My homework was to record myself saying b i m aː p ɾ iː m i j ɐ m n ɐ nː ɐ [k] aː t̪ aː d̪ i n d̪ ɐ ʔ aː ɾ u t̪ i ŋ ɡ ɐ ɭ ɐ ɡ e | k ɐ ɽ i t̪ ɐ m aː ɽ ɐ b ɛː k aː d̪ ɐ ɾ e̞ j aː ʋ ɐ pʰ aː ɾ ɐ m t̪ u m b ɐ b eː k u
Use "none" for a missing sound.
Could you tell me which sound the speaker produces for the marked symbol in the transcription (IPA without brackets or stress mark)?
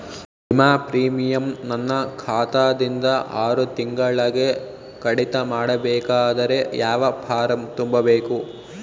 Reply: kʰ